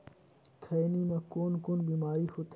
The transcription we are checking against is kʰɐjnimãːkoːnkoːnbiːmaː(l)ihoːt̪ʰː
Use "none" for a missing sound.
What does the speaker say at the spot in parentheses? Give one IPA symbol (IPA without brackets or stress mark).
ɾ